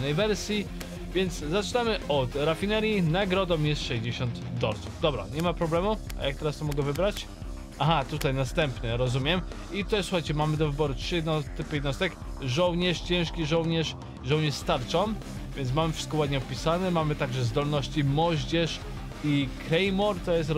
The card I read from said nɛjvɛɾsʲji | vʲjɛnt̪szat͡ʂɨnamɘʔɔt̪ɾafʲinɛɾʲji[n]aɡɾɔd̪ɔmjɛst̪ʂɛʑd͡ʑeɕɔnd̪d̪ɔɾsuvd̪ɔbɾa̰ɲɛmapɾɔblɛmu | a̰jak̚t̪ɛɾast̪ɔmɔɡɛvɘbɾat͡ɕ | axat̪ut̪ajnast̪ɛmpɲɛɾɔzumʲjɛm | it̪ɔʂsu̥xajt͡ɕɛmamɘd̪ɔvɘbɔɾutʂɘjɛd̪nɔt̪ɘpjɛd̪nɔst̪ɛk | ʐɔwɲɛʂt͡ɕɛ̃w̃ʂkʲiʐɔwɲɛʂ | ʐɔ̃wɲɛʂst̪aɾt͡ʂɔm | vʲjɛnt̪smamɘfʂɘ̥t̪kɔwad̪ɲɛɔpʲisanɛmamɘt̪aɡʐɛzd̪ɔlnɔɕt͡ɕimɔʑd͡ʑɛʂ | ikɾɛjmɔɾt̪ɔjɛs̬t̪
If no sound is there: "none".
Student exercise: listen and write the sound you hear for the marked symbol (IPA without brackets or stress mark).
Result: n